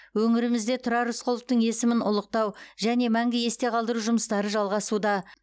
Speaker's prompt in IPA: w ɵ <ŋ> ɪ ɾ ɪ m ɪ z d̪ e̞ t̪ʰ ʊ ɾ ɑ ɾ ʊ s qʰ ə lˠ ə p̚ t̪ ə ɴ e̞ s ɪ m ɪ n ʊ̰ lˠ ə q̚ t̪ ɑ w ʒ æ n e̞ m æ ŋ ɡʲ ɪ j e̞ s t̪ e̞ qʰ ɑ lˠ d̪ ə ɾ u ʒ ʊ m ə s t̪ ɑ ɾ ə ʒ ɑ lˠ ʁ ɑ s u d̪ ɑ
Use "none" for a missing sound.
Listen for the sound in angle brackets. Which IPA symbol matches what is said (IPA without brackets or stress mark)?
ŋ